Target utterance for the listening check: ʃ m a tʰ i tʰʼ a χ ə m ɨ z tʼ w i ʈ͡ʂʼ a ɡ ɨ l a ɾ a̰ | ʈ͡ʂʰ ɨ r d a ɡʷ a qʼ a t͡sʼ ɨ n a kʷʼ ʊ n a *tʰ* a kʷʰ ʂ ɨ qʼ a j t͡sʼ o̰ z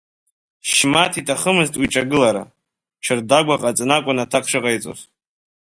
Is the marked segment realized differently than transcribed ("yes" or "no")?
no